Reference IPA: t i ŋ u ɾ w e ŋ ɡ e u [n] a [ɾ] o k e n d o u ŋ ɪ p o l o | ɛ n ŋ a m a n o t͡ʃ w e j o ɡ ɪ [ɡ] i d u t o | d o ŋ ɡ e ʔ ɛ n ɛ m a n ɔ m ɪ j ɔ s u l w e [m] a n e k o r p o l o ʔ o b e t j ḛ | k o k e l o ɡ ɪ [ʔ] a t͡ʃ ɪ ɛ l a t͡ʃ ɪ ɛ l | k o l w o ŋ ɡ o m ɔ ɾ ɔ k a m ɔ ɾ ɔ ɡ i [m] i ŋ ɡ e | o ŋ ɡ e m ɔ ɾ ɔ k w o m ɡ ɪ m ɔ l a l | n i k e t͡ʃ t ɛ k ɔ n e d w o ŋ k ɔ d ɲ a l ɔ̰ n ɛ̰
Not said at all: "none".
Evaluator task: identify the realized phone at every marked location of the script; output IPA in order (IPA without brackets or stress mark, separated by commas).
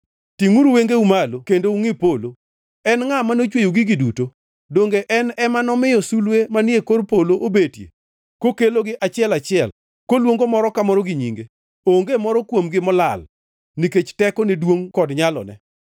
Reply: m, l, ɡ, m, ʔ, ɲ